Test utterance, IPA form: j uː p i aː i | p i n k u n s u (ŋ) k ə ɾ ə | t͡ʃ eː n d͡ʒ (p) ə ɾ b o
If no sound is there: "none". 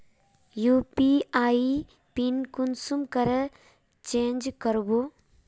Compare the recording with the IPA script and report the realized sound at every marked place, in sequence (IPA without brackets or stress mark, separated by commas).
m, k